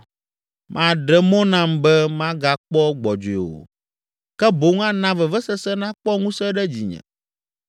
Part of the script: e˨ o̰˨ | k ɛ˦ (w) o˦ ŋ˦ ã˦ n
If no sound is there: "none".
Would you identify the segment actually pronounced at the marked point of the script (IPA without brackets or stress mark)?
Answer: b